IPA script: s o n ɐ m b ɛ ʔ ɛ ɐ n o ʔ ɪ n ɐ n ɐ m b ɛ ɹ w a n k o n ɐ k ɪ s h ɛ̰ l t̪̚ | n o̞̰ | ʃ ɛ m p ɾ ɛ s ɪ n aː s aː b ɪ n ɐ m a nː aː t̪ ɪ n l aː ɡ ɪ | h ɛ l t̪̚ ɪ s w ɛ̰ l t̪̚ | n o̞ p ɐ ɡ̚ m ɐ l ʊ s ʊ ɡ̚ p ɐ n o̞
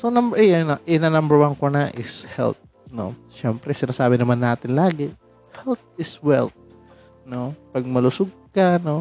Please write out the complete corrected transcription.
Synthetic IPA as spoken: s o n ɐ m b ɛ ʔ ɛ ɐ n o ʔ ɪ n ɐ n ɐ m b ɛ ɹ w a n k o n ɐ ʔ ɪ s h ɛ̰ l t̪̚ | n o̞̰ | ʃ ɛ m p ɾ ɛ s ɪ n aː s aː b ɪ n ɐ m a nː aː t̪ ɪ n l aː ɡ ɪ | h ɛ l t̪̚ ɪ s w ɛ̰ l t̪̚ | n o̞ p ɐ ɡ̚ m ɐ l ʊ s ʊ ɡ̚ k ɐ n o̞